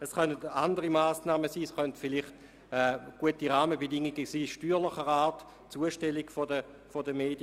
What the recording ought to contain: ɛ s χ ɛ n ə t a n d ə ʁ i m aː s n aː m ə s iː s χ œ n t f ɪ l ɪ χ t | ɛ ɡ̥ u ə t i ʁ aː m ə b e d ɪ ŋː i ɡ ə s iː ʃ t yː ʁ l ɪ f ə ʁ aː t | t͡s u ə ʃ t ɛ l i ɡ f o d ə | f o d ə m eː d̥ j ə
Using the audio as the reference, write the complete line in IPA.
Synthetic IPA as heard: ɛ s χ œ n ə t a n d ə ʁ i m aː s n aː m ə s iː s χ œ n t f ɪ l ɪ χ t | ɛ ɡ̥ u ə t i ʁ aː m ə b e d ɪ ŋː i ɡ ə s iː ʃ t yː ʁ l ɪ χ ə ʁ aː t | t͡s u ə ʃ t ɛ l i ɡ f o d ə | f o d ə m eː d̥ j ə